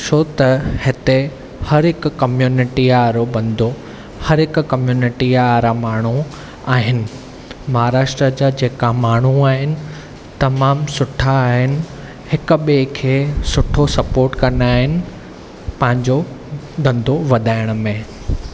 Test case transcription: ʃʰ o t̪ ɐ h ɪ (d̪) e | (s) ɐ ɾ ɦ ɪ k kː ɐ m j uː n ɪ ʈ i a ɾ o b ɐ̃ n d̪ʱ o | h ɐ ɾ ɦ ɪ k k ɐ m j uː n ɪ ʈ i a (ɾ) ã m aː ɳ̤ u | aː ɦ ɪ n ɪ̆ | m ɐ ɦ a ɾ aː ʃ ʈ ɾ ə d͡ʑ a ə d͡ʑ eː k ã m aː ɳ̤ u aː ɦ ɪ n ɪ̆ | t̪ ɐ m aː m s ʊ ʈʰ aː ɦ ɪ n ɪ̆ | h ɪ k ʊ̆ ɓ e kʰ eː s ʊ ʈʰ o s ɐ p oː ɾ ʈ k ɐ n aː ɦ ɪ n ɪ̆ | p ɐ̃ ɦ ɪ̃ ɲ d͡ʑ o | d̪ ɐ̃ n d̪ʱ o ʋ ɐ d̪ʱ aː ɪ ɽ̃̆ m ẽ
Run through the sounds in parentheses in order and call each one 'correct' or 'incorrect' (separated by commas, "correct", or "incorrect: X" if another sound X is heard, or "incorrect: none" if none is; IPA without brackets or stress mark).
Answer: incorrect: t̪, incorrect: h, correct